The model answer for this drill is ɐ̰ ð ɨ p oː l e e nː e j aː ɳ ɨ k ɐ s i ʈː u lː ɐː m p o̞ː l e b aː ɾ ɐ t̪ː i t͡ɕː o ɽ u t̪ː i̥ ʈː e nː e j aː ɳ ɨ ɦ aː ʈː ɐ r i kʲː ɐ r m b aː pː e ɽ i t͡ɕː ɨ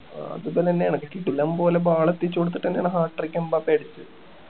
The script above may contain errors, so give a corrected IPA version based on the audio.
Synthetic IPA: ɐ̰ ð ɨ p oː l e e nː e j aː ɳ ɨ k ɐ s i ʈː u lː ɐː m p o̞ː l e b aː ɭ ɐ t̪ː i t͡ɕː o ɽ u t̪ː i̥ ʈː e nː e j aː ɳ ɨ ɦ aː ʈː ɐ r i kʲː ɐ m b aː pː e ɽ i t͡ɕː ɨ